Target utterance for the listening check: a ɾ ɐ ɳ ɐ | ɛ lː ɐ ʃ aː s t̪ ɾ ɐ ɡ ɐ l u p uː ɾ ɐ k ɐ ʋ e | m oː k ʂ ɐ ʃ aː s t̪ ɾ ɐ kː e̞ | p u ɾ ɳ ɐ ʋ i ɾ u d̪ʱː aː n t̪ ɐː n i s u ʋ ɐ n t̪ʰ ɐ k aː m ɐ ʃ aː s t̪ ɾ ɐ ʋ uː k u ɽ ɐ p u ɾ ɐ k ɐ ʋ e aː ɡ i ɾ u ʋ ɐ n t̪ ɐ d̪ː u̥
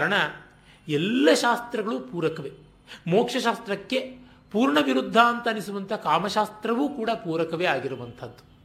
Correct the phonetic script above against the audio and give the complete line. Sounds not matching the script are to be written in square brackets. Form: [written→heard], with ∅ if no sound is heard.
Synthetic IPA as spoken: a ɾ ɐ ɳ ɐ | ɛ lː ɐ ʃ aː s t̪ ɾ ɐ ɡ ɐ [l→ɭ] u p uː ɾ ɐ k ɐ ʋ e | m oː k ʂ ɐ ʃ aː s t̪ ɾ ɐ kː e̞ | p [u→uː] ɾ ɳ ɐ ʋ i ɾ u d̪ʱː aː n t̪ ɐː n i s u ʋ ɐ n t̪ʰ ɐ k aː m ɐ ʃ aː s t̪ ɾ ɐ ʋ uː k [u→uː] ɽ ɐ p [u→uː] ɾ ɐ k ɐ ʋ e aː ɡ i ɾ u ʋ ɐ n [t̪→t̪ʰ] ɐ d̪ː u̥